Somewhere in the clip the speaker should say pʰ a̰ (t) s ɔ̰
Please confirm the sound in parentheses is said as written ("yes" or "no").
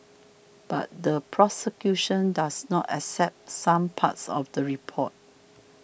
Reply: yes